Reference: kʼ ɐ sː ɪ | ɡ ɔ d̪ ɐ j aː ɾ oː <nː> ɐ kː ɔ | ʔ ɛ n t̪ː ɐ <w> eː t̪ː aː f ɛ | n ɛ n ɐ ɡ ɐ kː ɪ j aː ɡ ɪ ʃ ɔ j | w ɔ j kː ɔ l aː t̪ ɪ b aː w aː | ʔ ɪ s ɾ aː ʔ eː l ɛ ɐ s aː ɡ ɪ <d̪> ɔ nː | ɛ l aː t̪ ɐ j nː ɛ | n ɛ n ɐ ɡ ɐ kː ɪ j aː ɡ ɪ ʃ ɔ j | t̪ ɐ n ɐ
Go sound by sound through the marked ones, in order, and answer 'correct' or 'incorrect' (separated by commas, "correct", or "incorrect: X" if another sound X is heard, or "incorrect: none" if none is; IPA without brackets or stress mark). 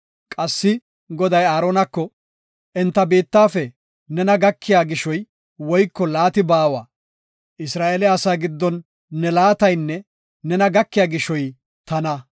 incorrect: n, incorrect: b, incorrect: d̪ː